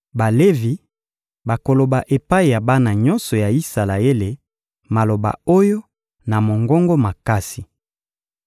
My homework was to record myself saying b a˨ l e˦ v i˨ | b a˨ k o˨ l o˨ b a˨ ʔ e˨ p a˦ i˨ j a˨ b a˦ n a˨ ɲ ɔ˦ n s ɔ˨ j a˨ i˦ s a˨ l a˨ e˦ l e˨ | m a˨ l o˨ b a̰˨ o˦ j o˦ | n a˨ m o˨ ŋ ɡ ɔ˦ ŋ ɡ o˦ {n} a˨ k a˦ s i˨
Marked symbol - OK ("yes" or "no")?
no